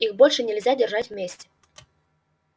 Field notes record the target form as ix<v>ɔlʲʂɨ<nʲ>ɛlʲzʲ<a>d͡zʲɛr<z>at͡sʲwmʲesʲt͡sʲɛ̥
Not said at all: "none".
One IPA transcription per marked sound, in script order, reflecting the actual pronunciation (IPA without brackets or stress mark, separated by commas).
b, nʲ, a, ʐ